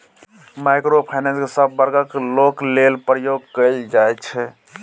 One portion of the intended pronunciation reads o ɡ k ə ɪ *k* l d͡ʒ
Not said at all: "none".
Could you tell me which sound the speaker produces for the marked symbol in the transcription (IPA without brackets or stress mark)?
none